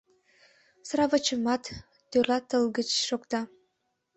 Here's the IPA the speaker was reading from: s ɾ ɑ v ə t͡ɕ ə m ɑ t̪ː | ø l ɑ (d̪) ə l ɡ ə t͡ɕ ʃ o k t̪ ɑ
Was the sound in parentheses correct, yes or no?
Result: no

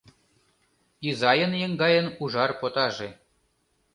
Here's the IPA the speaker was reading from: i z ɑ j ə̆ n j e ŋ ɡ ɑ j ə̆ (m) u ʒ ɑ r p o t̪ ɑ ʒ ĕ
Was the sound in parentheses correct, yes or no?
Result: no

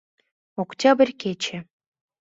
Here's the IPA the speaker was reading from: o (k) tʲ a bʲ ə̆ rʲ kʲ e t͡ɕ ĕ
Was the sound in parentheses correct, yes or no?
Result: yes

